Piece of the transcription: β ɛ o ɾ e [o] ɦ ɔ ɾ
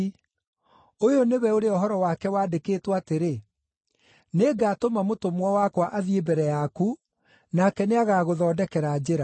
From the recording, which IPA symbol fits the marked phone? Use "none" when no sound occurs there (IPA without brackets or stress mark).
ɔ